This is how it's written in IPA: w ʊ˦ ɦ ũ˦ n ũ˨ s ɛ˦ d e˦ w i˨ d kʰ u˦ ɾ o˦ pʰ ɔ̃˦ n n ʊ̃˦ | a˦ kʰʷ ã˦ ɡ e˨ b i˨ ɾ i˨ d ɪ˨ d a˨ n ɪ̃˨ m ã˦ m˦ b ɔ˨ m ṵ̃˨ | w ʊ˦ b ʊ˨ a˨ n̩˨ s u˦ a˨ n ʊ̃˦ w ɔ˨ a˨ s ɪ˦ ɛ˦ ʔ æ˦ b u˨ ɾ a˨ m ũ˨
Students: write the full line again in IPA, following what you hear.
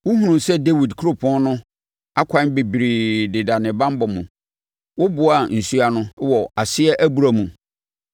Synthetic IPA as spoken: w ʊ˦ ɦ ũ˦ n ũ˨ s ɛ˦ d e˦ w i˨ d kʰ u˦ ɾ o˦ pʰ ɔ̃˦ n n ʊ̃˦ | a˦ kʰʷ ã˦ b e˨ b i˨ ɾ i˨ d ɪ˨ d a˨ n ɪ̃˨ b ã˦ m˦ b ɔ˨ m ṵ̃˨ | w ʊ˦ b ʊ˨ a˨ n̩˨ s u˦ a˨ n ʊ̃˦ w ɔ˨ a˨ s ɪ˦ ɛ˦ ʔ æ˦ b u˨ ɾ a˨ m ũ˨